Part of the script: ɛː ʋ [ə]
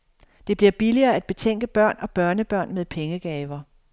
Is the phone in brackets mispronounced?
yes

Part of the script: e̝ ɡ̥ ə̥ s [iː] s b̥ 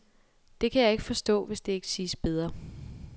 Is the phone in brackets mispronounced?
no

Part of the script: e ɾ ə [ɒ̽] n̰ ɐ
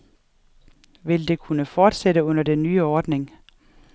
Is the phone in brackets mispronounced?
yes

